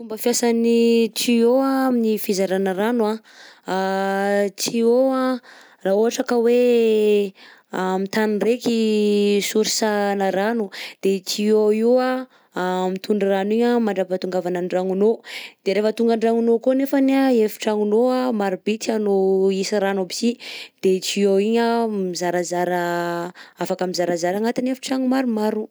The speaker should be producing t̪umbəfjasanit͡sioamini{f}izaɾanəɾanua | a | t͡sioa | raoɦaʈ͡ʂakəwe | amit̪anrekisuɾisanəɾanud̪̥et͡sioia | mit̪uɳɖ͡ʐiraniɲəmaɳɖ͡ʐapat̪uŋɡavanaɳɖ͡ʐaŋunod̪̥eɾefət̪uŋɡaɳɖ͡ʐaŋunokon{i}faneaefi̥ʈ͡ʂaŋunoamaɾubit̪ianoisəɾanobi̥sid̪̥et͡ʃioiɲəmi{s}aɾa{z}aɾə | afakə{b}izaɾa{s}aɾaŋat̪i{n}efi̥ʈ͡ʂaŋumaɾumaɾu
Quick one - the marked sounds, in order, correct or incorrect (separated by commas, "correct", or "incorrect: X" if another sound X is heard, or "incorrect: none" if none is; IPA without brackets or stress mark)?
correct, incorrect: e, incorrect: z, correct, incorrect: m, incorrect: z, correct